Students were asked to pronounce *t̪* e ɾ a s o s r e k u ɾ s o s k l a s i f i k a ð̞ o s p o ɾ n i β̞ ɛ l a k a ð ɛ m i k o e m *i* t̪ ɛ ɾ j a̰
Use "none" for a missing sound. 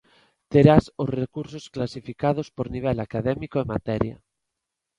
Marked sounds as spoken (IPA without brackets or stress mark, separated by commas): t̪, a